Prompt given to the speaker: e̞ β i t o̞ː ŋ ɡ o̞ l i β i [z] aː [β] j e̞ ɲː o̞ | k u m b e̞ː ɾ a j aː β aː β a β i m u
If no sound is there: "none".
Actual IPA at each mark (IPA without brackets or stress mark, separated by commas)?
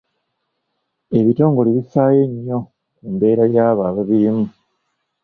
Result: s, none